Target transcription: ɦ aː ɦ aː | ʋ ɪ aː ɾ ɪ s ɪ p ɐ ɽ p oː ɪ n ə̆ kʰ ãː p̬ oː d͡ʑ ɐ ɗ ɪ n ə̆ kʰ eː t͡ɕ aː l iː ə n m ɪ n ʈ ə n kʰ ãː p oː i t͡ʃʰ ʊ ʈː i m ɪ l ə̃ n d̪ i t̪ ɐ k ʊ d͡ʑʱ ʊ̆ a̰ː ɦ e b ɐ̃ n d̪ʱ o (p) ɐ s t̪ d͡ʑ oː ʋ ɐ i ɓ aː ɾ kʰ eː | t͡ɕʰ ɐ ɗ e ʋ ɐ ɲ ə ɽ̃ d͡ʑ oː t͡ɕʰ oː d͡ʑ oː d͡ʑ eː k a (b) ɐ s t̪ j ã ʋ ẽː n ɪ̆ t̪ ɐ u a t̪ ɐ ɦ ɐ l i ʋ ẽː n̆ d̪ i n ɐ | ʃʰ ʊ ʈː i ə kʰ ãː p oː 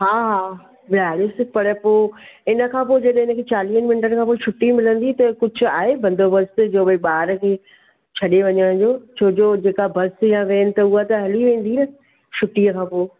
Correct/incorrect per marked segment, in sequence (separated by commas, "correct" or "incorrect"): incorrect, correct